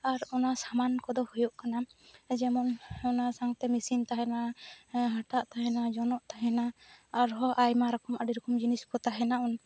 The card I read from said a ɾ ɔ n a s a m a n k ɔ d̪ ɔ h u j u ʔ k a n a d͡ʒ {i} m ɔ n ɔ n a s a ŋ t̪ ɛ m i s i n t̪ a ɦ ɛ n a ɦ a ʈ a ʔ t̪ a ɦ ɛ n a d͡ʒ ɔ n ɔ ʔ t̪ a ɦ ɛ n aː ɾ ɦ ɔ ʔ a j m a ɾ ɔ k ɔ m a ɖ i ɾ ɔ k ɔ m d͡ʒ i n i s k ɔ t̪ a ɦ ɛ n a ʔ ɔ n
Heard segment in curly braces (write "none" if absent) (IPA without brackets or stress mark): ɛ